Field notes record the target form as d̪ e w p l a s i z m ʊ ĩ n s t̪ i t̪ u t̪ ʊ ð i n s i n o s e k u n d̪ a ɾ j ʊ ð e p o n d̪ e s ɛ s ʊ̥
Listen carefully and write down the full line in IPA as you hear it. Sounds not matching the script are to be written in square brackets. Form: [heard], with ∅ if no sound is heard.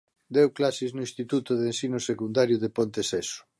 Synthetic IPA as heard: d̪ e w [k] l a s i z [n] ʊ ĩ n s t̪ i t̪ u t̪ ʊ ð [e] n s i n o s e k u n d̪ a ɾ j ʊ ð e p o n [t̪] e s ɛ s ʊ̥